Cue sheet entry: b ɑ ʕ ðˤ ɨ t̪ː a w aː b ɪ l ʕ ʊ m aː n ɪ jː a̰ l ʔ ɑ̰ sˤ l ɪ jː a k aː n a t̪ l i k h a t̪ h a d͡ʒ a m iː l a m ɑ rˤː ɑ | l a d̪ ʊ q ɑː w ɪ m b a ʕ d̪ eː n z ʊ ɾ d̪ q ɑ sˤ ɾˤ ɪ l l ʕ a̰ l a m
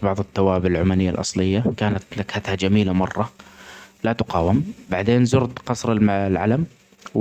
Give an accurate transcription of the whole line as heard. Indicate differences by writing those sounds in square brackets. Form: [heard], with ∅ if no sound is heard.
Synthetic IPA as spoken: b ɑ ʕ ðˤ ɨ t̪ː a w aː b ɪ l ʕ ʊ m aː n ɪ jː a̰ l ʔ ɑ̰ sˤ l ɪ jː a k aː n a t̪ l [a] k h a t̪ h a d͡ʒ a m iː l a m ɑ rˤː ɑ | l a [t̪] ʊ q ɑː w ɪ m b a ʕ d̪ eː n z ʊ ɾ d̪ q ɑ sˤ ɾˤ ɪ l l ʕ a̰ l a m